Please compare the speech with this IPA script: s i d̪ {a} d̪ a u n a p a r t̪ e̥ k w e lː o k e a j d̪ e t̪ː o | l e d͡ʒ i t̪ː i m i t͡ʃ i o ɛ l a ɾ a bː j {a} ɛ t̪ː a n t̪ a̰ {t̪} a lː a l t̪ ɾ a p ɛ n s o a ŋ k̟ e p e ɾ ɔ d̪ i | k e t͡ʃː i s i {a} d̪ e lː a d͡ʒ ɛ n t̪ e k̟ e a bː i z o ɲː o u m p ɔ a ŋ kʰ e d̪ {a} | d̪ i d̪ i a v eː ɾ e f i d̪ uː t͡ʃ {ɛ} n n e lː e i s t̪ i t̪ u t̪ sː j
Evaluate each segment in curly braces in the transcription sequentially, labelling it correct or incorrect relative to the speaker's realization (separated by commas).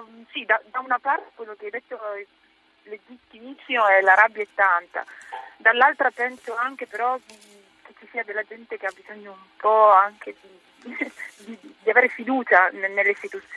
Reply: correct, correct, incorrect, correct, incorrect, incorrect